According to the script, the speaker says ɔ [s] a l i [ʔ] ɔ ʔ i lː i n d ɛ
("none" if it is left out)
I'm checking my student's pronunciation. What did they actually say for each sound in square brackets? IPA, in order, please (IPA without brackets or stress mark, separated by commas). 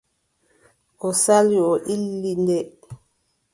s, none